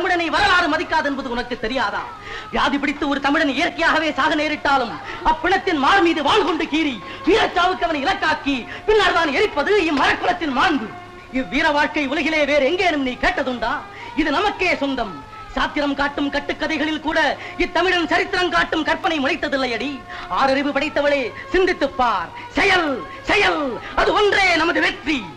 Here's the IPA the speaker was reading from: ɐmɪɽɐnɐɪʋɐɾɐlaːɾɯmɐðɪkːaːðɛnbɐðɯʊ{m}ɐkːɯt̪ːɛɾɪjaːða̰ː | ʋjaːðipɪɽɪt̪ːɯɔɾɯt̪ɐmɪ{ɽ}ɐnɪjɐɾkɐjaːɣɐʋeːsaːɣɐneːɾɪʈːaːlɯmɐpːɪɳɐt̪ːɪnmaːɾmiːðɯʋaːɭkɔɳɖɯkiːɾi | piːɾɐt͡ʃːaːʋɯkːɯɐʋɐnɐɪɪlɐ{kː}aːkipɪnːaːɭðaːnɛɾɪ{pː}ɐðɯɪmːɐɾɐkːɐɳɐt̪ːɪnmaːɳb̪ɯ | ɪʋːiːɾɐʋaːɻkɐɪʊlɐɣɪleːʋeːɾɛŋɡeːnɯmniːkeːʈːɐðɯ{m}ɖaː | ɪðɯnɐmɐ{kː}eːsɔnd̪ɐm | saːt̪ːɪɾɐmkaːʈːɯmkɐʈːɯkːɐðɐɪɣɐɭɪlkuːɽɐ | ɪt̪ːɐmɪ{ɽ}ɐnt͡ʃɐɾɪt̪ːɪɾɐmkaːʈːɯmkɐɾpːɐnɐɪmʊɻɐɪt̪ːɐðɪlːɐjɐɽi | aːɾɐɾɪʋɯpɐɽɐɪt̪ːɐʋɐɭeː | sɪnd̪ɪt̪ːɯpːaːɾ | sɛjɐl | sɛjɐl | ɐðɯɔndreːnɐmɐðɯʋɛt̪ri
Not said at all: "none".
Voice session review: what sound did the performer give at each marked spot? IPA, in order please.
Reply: n, ɽ, kː, pː, ɳ, kː, ɽ

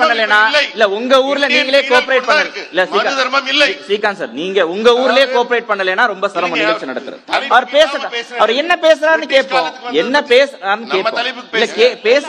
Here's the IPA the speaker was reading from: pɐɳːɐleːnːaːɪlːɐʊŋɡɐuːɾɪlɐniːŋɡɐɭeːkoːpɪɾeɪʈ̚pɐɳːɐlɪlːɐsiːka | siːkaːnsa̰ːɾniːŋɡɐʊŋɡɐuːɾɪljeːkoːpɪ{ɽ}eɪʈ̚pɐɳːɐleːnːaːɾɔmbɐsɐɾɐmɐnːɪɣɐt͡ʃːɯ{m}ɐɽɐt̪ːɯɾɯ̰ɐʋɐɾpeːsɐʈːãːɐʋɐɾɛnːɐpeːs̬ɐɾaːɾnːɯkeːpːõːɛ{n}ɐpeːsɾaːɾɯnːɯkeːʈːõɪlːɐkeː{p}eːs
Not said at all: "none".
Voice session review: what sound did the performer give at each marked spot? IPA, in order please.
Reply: ɾ, n, nː, p

